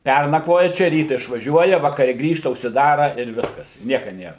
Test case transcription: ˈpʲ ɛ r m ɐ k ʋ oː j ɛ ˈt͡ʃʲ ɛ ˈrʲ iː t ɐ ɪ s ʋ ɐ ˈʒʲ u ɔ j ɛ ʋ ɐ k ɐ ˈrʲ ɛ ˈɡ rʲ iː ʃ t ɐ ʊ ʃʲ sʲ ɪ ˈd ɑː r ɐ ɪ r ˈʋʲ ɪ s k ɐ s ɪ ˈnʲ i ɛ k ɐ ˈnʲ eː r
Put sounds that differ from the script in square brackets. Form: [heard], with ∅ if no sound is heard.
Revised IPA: ˈpʲ ɛ r [n] ɐ k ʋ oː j ɛ ˈt͡ʃʲ ɛ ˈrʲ iː t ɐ ɪ [ʃ] ʋ ɐ ˈʒʲ u ɔ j ɛ ʋ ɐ k ɐ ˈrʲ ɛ ˈɡ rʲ iː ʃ t ɐ ʊ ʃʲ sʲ ɪ ˈd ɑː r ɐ ɪ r ˈʋʲ ɪ s k ɐ s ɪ ˈnʲ i ɛ k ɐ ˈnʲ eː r

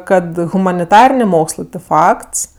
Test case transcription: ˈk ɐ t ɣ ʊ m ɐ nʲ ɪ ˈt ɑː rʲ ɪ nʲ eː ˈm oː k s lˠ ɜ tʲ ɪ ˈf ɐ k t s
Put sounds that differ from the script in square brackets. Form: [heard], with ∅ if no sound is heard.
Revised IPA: ˈk ɐ t ɣ ʊ m ɐ nʲ ɪ ˈt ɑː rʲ ɪ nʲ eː ˈm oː k s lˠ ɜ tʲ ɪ ˈf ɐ k t s

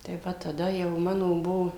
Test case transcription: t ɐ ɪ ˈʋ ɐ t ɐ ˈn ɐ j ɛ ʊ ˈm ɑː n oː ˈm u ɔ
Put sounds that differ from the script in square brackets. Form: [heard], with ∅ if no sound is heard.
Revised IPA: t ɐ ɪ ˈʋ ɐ t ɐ [ˈd] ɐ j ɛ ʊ ˈm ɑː n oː [ˈb] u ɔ

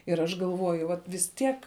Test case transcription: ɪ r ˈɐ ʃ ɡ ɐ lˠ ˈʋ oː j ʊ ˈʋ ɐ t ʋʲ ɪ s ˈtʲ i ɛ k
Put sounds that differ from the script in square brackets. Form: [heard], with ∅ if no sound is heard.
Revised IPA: ɪ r ˈɐ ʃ ɡ ɐ lˠ ˈʋ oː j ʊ ˈʋ ɐ t ʋʲ ɪ s ˈtʲ i ɛ k

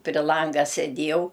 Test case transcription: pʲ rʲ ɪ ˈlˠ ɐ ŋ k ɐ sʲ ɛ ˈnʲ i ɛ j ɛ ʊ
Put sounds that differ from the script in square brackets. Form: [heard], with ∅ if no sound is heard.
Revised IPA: pʲ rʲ ɪ ˈlˠ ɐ ŋ [ɡ] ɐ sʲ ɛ [ˈdʲ] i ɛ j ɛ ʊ

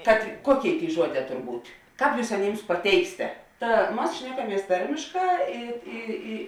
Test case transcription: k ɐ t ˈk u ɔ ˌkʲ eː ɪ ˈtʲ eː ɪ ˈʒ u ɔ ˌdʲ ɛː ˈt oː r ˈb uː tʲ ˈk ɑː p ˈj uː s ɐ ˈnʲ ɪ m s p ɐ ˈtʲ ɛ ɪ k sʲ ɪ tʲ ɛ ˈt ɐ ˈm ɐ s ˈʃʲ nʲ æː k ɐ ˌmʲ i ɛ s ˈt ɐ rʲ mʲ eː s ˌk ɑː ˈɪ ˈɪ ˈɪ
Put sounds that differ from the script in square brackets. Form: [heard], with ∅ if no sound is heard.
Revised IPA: k ɐ t ˈk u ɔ ˌkʲ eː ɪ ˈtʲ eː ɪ ˈʒ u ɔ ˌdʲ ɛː ˈt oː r ˈb uː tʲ ˈk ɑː p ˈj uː s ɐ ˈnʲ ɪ m s p ɐ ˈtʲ ɛ ɪ k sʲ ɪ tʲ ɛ ˈt ɐ ˈm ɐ s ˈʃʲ nʲ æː k ɐ ˌmʲ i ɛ s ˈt ɐ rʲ mʲ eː [ʃ] ˌk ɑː ˈɪ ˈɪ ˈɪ

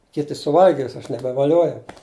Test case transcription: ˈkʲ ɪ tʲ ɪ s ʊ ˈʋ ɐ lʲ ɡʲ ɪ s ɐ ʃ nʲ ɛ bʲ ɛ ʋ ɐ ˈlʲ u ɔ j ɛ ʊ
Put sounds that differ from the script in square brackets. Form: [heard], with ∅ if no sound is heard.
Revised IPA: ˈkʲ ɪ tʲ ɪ s ʊ ˈʋ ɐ lʲ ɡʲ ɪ s ɐ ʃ nʲ ɛ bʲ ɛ ʋ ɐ ˈlʲ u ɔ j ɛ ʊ

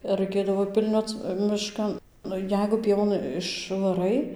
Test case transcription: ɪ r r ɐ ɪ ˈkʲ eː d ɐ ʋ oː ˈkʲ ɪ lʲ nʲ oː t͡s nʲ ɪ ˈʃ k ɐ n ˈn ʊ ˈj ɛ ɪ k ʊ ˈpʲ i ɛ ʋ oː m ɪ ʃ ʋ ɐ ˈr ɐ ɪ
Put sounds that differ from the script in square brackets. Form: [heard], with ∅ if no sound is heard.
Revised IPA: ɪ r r ɐ ɪ ˈkʲ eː d ɐ ʋ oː [ˈpʲ] ɪ lʲ nʲ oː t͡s [mʲ] ɪ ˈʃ k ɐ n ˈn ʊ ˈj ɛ ɪ [ɡ] ʊ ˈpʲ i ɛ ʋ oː [n] ɪ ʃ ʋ ɐ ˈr ɐ ɪ

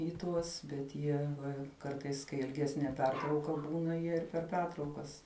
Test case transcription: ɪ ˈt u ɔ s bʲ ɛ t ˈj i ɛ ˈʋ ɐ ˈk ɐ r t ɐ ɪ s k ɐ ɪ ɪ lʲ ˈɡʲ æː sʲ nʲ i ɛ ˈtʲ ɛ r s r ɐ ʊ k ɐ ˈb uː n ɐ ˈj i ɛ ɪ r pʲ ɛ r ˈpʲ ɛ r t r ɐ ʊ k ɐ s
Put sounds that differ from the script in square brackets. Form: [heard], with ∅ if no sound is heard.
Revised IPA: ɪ ˈt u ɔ s bʲ ɛ t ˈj i ɛ ˈʋ ɐ ˈk ɐ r t ɐ ɪ s k ɐ ɪ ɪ lʲ ˈɡʲ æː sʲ nʲ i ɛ [ˈpʲ] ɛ r [t] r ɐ ʊ k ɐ ˈb uː n ɐ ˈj i ɛ ɪ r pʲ ɛ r ˈpʲ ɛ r t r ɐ ʊ k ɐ s

